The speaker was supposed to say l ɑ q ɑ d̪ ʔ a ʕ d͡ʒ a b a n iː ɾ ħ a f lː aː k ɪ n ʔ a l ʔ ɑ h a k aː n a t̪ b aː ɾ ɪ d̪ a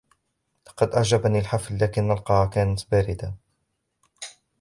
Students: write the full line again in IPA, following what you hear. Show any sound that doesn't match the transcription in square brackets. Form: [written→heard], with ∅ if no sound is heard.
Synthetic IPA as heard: l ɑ q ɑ d̪ ʔ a ʕ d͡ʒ a b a n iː [ɾ→l] ħ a f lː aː k ɪ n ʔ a l [ʔ→q] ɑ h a k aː n a t̪ b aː ɾ ɪ d̪ a